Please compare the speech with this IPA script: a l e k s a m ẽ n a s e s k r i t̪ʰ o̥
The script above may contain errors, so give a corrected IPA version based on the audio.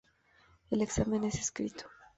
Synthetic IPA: e l e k s a m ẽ n e s e s k ɾ i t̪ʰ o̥